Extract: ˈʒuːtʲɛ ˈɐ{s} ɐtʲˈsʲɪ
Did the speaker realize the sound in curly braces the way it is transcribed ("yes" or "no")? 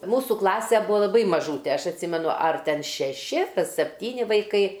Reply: no